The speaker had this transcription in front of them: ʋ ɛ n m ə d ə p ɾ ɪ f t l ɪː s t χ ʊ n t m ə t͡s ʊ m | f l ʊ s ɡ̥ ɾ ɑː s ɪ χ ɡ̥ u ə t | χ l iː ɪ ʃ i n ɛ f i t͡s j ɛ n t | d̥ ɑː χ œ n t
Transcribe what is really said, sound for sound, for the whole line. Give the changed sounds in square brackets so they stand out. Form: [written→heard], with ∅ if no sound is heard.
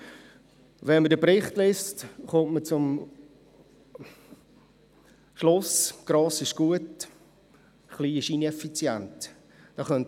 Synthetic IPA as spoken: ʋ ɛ n m ə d ə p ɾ ɪ [f→χ] t l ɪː s t χ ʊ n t m ə t͡s ʊ m | [f→ʃ] l ʊ s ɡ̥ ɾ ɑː s ɪ [χ→ʃ] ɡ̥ u ə t | χ l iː ɪ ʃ i n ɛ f i t͡s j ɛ n t | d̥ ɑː χ œ n t